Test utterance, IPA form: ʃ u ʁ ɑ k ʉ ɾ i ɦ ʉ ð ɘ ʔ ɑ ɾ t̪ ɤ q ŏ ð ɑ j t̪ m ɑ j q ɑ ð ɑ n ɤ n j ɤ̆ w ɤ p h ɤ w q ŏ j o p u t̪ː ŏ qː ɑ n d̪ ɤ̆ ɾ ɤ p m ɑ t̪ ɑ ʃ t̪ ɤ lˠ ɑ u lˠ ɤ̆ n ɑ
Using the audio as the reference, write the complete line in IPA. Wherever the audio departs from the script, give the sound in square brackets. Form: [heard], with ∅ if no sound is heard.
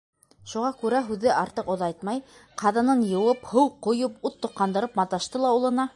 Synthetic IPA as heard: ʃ u ʁ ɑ k ʉ ɾ [æ] ɦ ʉ ð ɘ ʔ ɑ ɾ t̪ ɤ q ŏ ð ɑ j t̪ m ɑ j q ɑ ð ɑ n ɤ n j ɤ̆ w ɤ p h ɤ w q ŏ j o p u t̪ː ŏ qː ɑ n d̪ ɤ̆ ɾ ɤ p m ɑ t̪ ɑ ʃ t̪ ɤ lˠ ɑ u lˠ ɤ̆ n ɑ